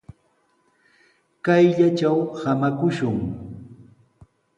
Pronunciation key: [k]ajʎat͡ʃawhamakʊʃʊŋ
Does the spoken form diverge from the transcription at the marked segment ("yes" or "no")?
no